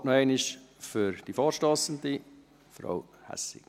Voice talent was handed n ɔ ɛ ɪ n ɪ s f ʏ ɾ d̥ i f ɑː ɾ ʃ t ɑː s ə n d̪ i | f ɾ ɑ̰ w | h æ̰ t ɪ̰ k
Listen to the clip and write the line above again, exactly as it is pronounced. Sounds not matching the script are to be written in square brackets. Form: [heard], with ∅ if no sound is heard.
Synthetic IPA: n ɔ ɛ ɪ n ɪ [ʃ] f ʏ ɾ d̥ i f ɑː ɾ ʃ t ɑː s ə n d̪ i | f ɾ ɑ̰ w | h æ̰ [s] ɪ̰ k